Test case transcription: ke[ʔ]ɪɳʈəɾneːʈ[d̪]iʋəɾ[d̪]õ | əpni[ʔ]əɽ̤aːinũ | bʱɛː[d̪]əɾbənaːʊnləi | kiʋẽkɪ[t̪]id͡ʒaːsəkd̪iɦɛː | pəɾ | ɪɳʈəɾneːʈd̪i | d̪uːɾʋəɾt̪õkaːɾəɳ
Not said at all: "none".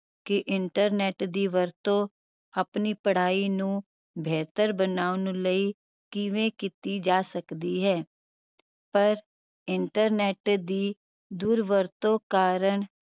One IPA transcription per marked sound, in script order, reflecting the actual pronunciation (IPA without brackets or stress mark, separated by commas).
ʔ, d̪, t̪, p, t̪, t̪